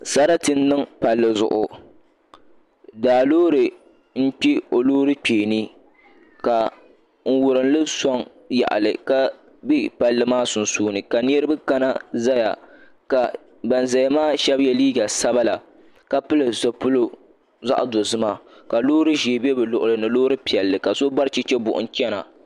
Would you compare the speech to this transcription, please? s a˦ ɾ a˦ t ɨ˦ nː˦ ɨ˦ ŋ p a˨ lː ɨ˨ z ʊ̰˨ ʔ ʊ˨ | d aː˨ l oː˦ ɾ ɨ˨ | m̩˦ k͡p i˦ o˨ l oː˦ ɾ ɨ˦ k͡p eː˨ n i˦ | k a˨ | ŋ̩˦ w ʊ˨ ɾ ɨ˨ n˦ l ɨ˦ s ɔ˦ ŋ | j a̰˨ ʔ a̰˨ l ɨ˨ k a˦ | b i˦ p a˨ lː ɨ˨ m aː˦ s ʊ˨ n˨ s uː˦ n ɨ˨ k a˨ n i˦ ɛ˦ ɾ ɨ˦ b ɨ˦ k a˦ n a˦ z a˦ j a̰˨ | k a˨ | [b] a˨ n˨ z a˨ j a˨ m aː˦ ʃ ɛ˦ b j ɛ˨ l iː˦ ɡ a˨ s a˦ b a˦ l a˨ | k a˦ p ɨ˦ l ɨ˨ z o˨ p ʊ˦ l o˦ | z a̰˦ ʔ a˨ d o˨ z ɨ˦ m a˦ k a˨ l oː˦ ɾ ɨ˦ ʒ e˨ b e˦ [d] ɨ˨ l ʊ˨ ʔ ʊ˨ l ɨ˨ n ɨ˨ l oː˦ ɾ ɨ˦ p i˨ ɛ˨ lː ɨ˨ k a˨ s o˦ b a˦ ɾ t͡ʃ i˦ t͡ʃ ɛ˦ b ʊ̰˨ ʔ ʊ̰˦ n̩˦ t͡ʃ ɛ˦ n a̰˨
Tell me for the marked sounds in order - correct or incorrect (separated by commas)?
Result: correct, incorrect